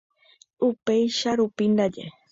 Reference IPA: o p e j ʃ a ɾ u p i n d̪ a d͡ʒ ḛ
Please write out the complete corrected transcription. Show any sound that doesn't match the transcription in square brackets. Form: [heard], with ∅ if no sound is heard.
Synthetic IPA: [u] p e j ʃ a ɾ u p i n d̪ a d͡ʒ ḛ

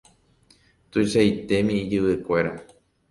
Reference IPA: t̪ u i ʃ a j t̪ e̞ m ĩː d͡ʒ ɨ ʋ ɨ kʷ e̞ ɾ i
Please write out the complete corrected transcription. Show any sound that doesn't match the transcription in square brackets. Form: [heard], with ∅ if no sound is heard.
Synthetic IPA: t̪ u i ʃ a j t̪ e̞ m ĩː d͡ʒ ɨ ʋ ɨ kʷ e̞ ɾ [a]

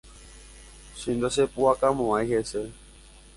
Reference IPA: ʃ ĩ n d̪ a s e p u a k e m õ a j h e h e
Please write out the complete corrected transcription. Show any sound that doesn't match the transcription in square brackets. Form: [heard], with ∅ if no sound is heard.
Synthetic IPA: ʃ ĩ n d̪ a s e p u a k [a] m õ a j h e [s] e

